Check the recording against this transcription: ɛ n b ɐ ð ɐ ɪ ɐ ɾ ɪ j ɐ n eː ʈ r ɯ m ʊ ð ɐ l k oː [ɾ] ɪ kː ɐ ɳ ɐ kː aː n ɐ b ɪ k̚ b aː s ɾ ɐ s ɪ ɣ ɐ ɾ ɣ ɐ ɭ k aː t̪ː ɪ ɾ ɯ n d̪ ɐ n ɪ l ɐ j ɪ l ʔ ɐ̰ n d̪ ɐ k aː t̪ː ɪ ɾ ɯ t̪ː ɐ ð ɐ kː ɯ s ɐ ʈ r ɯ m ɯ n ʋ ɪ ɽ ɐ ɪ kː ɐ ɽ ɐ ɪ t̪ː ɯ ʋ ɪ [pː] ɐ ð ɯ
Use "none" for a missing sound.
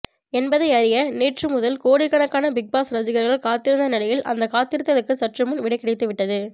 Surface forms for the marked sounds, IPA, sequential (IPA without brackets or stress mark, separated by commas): ɽ, ʈː